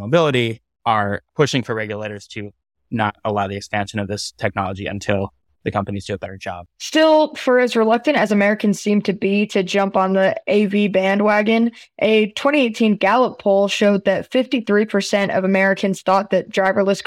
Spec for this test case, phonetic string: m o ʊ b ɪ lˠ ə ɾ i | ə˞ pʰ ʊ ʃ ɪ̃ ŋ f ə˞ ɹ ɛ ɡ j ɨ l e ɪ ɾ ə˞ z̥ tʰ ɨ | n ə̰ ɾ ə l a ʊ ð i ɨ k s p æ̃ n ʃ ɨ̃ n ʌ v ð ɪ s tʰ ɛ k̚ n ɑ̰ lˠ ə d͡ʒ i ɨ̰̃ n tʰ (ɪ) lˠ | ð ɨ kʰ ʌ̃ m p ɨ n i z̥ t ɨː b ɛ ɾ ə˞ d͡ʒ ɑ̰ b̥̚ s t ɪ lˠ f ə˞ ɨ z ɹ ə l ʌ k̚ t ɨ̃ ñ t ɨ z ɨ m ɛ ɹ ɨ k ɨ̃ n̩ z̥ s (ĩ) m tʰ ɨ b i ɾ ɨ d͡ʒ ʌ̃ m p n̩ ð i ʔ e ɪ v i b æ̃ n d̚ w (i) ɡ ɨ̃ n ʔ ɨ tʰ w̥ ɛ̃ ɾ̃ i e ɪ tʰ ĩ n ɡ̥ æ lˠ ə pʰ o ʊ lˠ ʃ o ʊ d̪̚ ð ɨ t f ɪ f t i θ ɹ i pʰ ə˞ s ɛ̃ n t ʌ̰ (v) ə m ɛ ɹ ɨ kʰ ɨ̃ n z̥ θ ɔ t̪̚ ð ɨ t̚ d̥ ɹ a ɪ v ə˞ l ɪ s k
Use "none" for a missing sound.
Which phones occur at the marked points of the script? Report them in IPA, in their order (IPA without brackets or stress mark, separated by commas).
ɪ, ĩ, æ, v